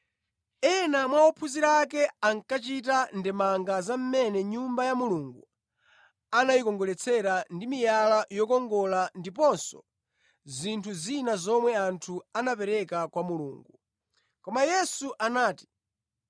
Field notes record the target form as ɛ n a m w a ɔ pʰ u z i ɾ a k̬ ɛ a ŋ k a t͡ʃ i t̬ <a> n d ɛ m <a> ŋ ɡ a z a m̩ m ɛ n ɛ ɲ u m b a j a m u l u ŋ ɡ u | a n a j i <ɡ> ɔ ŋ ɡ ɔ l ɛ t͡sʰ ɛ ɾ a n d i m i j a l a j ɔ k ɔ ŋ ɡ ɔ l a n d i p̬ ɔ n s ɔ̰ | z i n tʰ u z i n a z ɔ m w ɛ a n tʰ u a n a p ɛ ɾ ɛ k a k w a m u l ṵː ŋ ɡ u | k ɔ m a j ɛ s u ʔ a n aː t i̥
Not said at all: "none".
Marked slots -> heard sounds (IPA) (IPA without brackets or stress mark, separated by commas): a, a, k